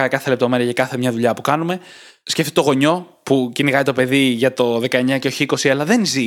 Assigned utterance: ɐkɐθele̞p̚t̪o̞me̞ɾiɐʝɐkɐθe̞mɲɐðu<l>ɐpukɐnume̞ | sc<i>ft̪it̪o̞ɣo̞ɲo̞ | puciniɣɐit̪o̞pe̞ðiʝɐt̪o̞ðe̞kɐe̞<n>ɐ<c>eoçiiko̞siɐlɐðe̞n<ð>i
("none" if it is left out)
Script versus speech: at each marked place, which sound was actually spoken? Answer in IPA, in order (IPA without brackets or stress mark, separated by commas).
ʎ, e, ɲ, c, z